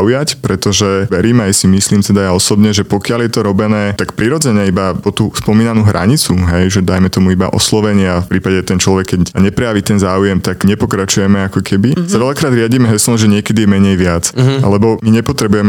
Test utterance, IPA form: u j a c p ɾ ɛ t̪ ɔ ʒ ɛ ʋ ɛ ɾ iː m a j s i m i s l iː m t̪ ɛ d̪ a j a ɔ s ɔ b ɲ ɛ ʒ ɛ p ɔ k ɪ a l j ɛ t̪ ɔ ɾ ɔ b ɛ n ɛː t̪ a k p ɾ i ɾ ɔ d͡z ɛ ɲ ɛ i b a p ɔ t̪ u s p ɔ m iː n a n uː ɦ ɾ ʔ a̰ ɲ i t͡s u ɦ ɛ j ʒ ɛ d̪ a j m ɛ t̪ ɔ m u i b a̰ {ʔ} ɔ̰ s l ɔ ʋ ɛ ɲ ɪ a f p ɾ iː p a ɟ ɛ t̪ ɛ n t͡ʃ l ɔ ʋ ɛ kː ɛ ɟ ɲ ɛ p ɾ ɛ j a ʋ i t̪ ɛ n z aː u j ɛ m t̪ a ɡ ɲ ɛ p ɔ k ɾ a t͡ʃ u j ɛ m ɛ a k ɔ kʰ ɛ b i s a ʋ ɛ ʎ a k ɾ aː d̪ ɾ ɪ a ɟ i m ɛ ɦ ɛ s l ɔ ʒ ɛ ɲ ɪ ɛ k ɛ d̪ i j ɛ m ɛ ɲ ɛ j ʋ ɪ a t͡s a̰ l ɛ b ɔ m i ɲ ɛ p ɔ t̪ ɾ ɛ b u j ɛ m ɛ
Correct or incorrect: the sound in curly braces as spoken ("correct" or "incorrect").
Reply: correct